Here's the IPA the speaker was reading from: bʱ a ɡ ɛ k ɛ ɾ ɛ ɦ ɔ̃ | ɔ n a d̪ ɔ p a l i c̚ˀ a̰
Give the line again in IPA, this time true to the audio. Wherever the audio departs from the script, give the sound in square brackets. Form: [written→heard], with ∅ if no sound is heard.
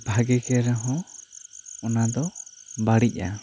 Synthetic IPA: bʱ a ɡ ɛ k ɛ ɾ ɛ ɦ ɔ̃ | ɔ n a d̪ ɔ [p→b] a [l→ɽ] i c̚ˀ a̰